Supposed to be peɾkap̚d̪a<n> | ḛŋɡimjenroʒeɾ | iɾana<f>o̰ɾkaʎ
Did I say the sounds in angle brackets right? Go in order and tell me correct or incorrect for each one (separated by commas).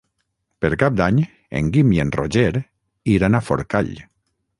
incorrect, correct